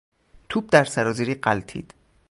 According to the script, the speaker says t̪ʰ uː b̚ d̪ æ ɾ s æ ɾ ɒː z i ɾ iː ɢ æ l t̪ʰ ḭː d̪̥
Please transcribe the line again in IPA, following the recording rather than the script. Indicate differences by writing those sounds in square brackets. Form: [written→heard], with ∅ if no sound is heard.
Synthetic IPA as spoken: t̪ʰ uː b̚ d̪ æ ɾ s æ ɾ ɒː z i ɾ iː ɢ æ l t̪ʰ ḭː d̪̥